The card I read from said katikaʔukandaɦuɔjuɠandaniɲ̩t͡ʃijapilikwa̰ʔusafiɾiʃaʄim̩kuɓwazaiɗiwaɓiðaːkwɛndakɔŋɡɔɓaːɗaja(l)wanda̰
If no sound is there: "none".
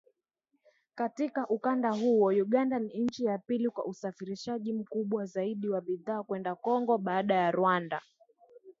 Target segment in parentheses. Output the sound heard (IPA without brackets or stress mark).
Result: ɾ